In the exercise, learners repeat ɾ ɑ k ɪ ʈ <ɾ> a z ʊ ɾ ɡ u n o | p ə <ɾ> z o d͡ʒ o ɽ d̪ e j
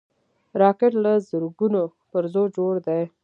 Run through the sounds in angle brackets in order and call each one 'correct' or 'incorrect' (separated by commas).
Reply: incorrect, correct